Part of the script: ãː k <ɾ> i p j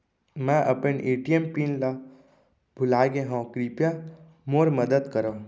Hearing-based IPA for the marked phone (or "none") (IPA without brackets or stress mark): ɾ